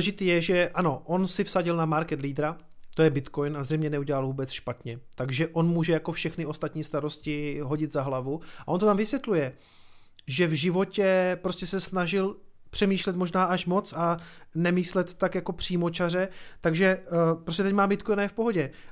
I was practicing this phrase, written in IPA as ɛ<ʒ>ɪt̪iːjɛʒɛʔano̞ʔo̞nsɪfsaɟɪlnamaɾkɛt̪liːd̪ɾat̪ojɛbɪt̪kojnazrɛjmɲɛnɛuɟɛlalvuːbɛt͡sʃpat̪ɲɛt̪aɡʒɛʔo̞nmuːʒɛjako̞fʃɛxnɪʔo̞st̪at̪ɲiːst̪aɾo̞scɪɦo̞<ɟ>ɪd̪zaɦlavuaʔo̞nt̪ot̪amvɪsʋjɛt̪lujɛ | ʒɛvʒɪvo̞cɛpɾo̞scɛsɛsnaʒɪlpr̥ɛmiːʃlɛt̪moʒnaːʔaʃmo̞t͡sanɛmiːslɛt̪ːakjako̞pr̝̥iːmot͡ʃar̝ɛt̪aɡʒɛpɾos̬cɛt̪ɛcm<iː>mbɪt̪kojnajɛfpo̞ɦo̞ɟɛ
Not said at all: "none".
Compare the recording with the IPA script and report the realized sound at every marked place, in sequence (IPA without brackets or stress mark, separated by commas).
ʒ, ɟ, aː